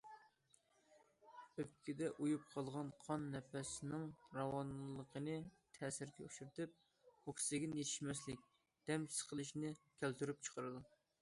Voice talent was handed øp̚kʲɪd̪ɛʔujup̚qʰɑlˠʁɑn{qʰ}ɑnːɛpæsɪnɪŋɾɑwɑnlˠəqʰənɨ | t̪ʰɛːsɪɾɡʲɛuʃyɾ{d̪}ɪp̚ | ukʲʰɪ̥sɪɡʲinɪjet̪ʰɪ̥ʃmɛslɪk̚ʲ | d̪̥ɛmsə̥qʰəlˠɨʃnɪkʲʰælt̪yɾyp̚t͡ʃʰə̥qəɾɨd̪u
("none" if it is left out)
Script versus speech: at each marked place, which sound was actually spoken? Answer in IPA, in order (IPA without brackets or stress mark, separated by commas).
qʰ, t̪